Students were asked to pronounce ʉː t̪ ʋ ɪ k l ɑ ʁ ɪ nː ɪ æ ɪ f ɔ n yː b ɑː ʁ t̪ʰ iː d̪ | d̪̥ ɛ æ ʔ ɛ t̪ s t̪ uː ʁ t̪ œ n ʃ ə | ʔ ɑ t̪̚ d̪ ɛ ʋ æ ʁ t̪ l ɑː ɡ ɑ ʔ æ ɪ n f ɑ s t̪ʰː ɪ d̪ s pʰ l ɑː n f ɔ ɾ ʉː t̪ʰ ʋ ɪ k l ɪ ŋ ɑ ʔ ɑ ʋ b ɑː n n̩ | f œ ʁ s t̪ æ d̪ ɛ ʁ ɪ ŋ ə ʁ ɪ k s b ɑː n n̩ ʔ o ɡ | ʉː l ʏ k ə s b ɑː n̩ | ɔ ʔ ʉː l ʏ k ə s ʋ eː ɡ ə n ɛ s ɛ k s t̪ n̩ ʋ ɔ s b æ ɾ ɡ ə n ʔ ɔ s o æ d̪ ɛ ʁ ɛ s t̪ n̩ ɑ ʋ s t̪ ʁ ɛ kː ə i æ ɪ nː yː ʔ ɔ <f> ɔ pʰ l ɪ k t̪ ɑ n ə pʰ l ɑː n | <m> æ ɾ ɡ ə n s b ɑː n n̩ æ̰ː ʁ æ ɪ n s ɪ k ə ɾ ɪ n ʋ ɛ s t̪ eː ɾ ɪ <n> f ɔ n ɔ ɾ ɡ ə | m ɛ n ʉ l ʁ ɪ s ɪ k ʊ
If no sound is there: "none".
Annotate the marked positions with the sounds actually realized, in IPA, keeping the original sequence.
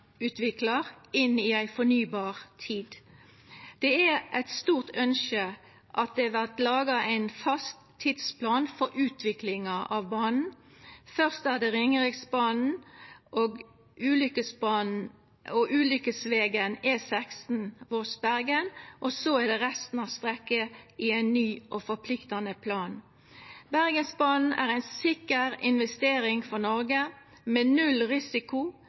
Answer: f, b, ŋ

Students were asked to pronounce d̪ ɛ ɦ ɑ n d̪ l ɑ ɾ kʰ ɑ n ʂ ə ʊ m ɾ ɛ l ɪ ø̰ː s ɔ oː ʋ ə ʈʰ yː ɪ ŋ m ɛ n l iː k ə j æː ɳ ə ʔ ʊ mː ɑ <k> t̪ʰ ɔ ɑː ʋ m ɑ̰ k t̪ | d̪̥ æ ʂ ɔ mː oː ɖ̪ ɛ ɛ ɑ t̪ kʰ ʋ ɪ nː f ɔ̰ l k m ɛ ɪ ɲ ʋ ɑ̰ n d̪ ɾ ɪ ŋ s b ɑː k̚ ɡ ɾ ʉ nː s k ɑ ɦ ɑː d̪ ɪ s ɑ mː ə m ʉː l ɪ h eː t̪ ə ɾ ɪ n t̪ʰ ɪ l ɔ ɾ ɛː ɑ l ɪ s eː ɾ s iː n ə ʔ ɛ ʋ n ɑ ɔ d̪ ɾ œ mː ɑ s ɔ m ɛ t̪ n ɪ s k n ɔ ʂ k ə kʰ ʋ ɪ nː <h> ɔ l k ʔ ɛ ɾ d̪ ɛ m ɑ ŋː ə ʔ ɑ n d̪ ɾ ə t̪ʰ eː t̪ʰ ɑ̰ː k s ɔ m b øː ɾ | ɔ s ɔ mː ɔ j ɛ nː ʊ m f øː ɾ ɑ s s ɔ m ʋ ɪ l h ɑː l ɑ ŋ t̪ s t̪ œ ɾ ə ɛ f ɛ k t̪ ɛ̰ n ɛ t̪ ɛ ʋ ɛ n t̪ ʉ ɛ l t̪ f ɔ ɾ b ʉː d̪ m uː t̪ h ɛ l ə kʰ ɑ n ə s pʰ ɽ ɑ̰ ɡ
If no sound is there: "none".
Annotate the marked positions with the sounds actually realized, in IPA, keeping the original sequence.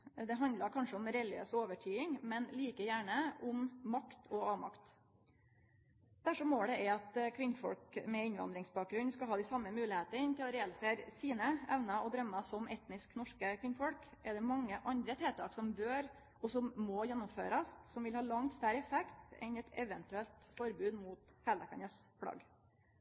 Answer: k, f

